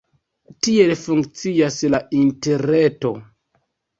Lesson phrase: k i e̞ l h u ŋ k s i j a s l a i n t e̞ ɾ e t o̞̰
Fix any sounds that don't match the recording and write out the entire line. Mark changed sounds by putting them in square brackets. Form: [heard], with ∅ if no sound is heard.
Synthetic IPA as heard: [t] i e̞ l [f] u ŋ k [t͡s] i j a s l a i n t e̞ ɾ e t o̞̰